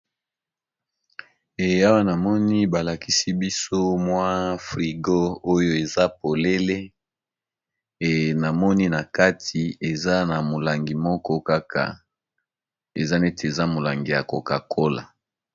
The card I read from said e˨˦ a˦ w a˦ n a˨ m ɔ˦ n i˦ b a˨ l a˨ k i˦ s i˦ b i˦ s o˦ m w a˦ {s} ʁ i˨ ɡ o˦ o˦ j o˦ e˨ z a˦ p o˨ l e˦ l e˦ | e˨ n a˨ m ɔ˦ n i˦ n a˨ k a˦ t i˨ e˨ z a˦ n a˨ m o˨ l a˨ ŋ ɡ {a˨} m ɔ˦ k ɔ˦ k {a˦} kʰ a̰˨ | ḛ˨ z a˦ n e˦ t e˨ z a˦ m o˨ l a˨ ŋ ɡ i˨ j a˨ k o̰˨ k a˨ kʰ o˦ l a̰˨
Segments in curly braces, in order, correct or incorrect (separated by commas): incorrect, incorrect, correct